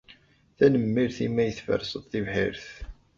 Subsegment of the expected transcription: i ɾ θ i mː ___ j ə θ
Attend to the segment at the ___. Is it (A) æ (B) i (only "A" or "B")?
A